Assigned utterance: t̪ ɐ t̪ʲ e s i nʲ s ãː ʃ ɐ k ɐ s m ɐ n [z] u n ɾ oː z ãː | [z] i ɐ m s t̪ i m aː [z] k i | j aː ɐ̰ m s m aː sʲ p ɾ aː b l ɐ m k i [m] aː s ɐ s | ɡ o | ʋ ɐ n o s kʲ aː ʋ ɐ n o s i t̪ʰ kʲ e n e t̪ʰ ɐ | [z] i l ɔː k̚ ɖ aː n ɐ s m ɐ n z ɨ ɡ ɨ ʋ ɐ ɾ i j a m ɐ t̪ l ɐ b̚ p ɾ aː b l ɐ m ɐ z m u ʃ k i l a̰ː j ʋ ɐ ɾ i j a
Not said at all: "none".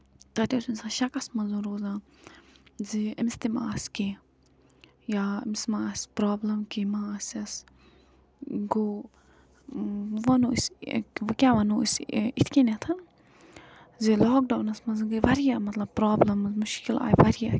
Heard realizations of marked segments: z, z, s, m, z

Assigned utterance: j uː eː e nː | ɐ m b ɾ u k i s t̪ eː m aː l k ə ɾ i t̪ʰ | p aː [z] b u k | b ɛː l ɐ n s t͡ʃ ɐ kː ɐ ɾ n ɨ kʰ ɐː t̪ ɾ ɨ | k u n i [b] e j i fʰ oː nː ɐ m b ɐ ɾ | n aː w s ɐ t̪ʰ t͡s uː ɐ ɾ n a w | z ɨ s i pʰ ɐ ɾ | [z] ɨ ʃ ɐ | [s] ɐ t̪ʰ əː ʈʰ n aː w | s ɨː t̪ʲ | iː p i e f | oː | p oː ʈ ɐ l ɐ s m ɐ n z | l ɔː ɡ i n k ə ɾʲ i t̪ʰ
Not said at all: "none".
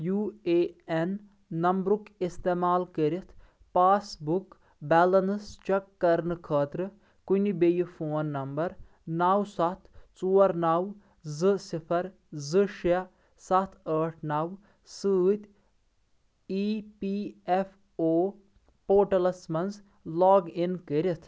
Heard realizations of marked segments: s, b, z, s

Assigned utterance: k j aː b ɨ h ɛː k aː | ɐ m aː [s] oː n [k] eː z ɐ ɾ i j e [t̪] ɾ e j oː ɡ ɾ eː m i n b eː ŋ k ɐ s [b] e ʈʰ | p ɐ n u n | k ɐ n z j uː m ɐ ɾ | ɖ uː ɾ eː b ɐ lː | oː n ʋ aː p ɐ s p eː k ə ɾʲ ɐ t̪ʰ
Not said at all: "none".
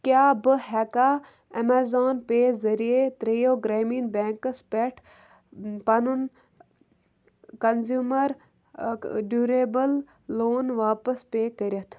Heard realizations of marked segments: z, p, t̪, p

